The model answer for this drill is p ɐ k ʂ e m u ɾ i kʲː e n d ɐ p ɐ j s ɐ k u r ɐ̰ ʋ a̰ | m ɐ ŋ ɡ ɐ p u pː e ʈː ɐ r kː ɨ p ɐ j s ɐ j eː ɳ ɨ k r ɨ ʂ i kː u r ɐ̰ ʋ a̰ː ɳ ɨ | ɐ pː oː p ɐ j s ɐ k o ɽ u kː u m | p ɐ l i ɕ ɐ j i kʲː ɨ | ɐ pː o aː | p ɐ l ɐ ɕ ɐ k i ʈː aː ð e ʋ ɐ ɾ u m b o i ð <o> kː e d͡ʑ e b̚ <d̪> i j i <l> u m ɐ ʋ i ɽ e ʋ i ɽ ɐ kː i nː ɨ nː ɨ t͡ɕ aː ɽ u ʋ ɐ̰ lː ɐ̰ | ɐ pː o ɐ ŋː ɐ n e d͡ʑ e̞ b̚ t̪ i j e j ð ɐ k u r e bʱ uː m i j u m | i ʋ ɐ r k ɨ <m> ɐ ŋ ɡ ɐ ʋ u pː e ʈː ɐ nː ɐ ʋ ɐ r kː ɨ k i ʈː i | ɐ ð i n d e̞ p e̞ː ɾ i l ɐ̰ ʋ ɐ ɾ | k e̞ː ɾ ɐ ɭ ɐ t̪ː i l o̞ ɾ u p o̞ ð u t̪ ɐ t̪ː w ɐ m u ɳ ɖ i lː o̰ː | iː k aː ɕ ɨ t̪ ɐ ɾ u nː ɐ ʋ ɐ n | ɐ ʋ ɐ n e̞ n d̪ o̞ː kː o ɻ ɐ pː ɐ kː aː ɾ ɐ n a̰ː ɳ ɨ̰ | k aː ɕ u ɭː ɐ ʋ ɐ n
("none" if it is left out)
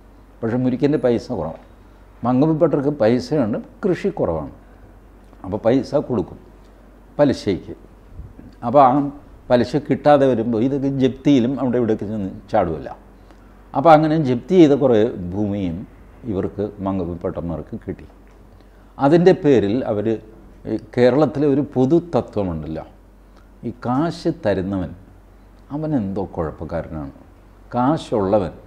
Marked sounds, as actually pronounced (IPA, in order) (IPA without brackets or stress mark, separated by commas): o, t̪, l, m